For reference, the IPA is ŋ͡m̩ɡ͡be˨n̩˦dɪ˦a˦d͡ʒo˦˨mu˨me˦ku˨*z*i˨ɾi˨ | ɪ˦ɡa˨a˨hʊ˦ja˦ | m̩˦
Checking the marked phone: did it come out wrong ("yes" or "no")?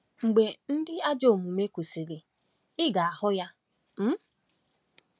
yes